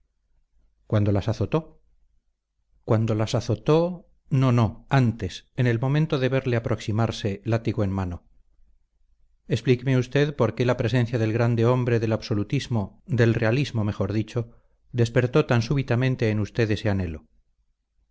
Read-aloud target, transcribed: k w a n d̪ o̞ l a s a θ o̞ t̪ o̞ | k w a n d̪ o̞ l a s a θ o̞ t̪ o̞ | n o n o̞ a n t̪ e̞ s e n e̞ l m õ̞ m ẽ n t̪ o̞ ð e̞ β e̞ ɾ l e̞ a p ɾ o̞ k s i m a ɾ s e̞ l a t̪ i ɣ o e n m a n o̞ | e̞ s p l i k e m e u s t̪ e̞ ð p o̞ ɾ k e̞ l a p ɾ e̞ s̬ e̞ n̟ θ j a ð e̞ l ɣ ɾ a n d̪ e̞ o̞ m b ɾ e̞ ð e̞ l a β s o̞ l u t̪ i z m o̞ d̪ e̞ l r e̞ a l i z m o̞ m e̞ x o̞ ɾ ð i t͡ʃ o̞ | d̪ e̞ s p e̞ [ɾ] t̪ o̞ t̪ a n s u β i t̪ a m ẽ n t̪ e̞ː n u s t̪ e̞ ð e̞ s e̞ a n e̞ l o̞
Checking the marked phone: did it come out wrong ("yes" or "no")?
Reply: no